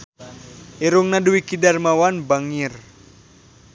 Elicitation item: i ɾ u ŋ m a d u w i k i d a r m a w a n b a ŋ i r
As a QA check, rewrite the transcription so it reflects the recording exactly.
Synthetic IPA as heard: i ɾ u ŋ n a d u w i k i d a r m a w a n b a ŋ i r

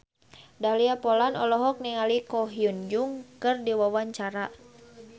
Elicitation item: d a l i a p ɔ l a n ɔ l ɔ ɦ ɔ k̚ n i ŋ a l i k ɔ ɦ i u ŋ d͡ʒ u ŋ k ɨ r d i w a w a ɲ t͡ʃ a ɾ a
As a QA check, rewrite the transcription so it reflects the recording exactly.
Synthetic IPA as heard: d a l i a p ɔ l a n ɔ l ɔ ɦ ɔ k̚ n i ŋ a l i k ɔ ɦ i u n d͡ʒ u ŋ k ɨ r d i w a w a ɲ t͡ʃ a ɾ a

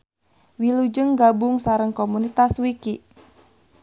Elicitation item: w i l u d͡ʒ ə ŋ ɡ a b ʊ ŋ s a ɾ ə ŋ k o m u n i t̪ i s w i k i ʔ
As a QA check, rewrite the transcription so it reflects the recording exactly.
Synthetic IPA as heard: w i l u d͡ʒ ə ŋ ɡ a b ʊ ŋ s a ɾ ə ŋ k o m u n i t̪ a s w i k i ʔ

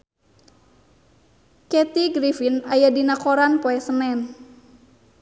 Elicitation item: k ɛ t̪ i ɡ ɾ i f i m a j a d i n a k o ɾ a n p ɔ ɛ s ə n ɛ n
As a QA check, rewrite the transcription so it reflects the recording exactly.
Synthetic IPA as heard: k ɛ t̪ i ɡ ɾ i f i n a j a d i n a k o ɾ a n p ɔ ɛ s ə n ɛ n

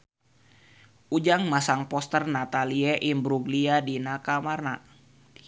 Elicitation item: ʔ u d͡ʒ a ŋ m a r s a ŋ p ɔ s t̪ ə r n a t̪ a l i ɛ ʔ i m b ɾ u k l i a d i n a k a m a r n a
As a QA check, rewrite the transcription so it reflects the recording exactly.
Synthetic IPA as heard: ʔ u d͡ʒ a ŋ m a s a ŋ p ɔ s t̪ ə r n a t̪ a l i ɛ ʔ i m b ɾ u ɡ l i a d i n a k a m a r n a

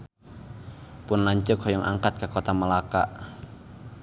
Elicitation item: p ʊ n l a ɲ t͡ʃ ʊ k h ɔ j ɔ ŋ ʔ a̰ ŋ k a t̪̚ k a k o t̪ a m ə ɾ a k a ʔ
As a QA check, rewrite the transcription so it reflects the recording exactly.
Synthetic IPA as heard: p ʊ n l a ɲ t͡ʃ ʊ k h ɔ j ɔ ŋ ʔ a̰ ŋ k a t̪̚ k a k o t̪ a m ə l a k a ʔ

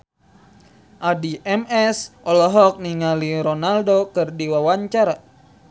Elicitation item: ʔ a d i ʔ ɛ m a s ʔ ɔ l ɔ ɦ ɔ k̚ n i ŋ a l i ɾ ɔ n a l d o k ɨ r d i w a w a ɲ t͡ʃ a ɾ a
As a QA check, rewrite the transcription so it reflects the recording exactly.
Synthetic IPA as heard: ʔ a d i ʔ ɛ m ɛ s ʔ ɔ l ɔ ɦ ɔ k̚ n i ŋ a l i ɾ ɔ n a l d o k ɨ r d i w a w a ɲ t͡ʃ a ɾ a

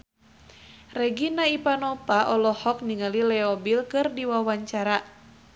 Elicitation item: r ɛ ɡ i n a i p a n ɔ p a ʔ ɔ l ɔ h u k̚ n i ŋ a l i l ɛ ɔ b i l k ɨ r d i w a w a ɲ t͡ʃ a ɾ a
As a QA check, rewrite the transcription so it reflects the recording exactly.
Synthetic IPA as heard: r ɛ ɡ i n a i p a n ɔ p a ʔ ɔ l ɔ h ɔ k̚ n i ŋ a l i l ɛ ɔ b i l k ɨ r d i w a w a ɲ t͡ʃ a ɾ a

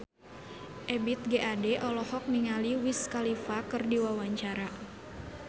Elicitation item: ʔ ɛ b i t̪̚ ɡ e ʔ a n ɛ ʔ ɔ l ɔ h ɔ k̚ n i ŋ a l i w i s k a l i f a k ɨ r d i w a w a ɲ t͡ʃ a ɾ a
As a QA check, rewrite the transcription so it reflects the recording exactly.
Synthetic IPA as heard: ʔ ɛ b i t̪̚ ɡ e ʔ a d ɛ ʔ ɔ l ɔ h ɔ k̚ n i ŋ a l i w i s k a l i f a k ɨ r d i w a w a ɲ t͡ʃ a ɾ a

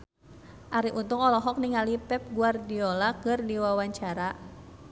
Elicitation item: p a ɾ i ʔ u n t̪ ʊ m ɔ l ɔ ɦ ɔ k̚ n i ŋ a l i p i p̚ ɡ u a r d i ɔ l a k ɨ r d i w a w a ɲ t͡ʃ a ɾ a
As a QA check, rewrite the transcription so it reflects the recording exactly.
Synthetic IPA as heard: ʔ a ɾ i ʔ u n t̪ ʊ ŋ ɔ l ɔ ɦ ɔ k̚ n i ŋ a l i p ɛ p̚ ɡ u a r d i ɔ l a k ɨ r d i w a w a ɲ t͡ʃ a ɾ a

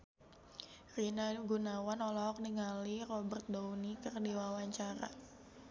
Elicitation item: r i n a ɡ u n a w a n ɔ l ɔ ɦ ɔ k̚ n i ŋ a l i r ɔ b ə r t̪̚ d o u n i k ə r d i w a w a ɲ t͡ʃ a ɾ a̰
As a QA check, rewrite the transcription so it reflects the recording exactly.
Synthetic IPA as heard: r i n a ɡ u n a w a n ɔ l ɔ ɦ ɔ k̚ n i ŋ a l i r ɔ b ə r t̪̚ d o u n i k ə r d i w a w a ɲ t͡ʃ a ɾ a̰

